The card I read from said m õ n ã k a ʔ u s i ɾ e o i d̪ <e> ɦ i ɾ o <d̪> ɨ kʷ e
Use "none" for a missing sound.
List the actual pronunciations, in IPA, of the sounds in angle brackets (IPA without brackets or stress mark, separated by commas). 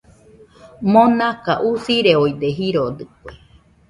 e, d̪